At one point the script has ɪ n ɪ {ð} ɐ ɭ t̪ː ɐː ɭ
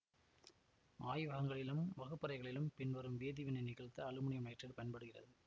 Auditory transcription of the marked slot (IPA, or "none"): ɣ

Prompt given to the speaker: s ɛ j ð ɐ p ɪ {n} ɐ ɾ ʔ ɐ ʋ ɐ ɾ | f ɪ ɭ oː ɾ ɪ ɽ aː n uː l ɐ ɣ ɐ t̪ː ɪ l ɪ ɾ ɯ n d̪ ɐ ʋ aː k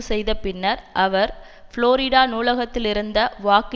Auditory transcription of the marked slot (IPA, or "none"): nː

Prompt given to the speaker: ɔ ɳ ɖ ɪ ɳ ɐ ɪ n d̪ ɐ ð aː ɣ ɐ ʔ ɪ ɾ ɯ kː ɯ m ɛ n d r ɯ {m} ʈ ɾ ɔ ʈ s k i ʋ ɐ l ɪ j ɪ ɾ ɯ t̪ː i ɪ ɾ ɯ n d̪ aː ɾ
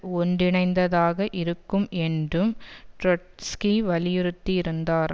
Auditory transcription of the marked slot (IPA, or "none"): m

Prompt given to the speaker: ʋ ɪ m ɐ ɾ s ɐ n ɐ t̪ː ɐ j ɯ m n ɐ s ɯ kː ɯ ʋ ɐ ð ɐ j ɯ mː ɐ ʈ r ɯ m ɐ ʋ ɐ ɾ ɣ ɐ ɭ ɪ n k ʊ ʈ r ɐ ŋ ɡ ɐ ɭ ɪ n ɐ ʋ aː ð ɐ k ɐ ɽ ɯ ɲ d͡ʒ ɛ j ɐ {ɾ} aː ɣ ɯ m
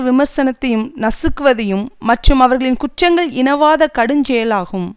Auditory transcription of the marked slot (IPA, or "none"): l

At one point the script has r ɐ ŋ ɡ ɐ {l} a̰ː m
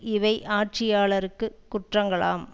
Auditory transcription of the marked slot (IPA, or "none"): ɭ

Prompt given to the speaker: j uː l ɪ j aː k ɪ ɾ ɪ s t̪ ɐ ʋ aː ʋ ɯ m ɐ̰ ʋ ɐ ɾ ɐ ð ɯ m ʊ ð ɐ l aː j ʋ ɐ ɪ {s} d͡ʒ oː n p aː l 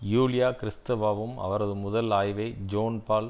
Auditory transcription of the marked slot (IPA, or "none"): none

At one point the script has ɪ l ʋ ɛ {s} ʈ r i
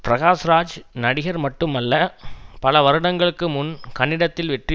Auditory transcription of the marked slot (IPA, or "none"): none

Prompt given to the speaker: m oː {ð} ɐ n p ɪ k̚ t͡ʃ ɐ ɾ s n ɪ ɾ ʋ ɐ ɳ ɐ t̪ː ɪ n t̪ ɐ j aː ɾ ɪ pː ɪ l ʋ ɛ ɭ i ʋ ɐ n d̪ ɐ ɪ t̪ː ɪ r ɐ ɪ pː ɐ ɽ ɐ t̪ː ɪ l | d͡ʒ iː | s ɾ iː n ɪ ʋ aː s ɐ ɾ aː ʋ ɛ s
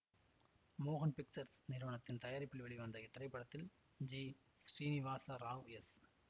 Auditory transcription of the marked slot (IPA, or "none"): ɣ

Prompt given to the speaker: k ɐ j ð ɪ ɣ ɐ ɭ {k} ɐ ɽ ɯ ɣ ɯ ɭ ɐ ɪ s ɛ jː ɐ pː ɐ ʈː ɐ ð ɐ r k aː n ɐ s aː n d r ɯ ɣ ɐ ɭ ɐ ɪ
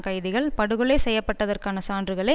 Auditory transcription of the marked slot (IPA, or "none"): p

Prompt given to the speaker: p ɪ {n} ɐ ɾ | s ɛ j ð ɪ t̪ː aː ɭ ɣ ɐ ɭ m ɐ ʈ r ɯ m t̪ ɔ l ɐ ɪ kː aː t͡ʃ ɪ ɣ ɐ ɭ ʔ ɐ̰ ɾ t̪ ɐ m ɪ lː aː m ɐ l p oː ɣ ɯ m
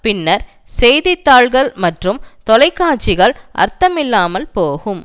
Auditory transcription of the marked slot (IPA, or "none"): nː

